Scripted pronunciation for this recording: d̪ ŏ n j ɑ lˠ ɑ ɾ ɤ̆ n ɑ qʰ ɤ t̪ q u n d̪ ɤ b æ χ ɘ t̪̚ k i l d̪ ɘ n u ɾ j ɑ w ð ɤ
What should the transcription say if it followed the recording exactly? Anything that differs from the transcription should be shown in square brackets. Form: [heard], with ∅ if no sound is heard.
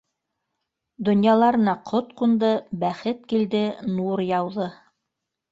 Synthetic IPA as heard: d̪ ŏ n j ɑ lˠ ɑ ɾ ɤ̆ n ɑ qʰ [o] t̪ q u n d̪ ɤ b æ χ ɘ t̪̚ k i l d̪ ɘ n u ɾ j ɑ w ð ɤ